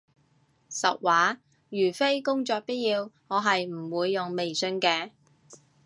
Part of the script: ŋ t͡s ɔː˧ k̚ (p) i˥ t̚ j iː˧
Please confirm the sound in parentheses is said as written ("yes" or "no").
yes